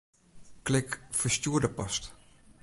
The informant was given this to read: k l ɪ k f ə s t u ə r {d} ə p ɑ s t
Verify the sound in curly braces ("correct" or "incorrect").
correct